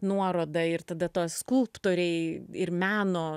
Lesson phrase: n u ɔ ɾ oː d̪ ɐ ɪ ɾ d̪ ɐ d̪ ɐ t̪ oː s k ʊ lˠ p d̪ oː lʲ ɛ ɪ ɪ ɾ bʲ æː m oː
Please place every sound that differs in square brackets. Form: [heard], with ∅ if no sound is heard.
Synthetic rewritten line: n u ɔ ɾ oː d̪ ɐ ɪ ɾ [t̪] ɐ d̪ ɐ t̪ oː s k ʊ lˠ p [t̪] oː [ɾʲ] ɛ ɪ ɪ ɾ [mʲ] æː [n] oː

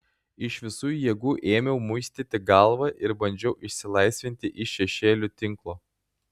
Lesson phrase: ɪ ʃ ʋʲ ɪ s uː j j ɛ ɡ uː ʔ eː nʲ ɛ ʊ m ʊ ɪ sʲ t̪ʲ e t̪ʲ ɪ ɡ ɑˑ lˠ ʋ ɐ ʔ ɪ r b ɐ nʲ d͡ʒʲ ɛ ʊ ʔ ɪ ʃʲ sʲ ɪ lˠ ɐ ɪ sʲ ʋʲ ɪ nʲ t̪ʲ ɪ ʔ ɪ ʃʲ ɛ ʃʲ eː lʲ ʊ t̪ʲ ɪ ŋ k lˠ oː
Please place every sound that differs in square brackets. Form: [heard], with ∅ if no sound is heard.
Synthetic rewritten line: ɪ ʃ ʋʲ ɪ s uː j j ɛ ɡ uː ʔ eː [mʲ] ɛ ʊ m ʊ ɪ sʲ t̪ʲ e t̪ʲ ɪ ɡ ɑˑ lˠ ʋ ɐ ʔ ɪ [ɾ] b ɐ nʲ d͡ʒʲ ɛ ʊ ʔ ɪ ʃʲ sʲ ɪ lˠ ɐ ɪ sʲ ʋʲ ɪ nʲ t̪ʲ ɪ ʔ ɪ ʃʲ ɛ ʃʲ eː lʲ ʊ t̪ʲ ɪ ŋ k lˠ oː

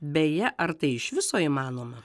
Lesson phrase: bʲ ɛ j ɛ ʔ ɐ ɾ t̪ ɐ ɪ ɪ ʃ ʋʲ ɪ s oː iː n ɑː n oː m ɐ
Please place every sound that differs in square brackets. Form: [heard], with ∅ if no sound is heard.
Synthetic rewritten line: bʲ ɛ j ɛ ʔ ɐ ɾ t̪ ɐ ɪ ɪ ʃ ʋʲ ɪ s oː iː [m] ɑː n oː m ɐ

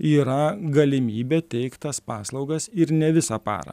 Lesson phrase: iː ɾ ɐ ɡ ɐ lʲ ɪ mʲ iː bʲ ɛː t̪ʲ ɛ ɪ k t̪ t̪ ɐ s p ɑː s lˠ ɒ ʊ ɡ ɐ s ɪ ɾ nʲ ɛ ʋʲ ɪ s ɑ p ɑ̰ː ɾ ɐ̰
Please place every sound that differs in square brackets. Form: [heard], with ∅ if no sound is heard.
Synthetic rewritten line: iː ɾ ɐ ɡ ɐ lʲ ɪ mʲ iː bʲ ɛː t̪ʲ ɛ ɪ k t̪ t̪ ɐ s p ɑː s lˠ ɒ ʊ ɡ ɐ s ɪ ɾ nʲ ɛ ʋʲ ɪ s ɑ p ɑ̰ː ɾ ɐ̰

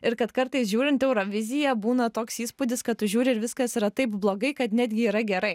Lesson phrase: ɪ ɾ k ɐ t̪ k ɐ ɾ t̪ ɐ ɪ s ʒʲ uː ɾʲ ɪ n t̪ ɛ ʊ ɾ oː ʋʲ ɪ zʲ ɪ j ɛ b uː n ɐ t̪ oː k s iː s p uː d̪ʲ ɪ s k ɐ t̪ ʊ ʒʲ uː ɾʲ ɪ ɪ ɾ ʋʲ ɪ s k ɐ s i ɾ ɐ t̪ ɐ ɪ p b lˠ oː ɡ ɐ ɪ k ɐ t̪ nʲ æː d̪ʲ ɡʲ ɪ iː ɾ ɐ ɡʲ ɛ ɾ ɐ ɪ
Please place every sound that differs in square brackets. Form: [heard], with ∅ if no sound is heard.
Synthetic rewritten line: ɪ ɾ k ɐ t̪ k ɐ ɾ t̪ ɐ ɪ s ʒʲ uː ɾʲ ɪ n t̪ ɛ ʊ ɾ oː ʋʲ ɪ zʲ ɪ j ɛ b uː n ɐ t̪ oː k s iː s p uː d̪ʲ ɪ s k ɐ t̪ ʊ ʒʲ uː ɾʲ ɪ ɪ ɾ ʋʲ ɪ s k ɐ s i ɾ ɐ t̪ ɐ ɪ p b lˠ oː ɡ ɐ ɪ k ɐ t̪ nʲ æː d̪ʲ ɡʲ ɪ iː ɾ ɐ ɡʲ ɛ ɾ ɐ ɪ

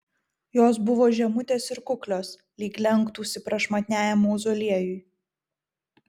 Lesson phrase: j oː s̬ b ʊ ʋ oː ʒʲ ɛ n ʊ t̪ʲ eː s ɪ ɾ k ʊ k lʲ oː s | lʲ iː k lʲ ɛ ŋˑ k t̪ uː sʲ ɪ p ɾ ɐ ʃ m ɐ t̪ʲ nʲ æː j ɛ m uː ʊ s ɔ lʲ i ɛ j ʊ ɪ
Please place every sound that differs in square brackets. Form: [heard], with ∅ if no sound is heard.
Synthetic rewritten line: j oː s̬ b ʊ ʋ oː ʒʲ ɛ [m] ʊ t̪ʲ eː s ɪ ɾ k ʊ k lʲ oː s | lʲ iː k lʲ ɛ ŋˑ k t̪ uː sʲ ɪ p ɾ ɐ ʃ m ɐ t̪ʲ nʲ æː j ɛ m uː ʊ [z] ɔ lʲ i ɛ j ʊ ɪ

